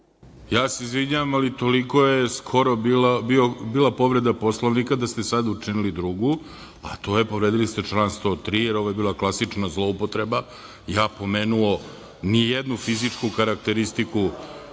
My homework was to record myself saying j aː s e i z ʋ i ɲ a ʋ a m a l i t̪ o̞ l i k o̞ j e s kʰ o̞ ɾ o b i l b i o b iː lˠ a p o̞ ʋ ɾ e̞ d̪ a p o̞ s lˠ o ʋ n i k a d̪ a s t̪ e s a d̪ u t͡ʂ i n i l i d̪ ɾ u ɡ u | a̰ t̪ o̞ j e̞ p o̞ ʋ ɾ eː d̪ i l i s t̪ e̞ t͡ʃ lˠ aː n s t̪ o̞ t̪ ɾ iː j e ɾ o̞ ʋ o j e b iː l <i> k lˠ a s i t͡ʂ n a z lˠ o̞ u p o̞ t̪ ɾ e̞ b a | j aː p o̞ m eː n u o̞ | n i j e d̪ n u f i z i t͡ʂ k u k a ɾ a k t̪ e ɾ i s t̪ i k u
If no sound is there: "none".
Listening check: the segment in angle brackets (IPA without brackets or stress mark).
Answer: a